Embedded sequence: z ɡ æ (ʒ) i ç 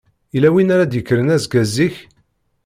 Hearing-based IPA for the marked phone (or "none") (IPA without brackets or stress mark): z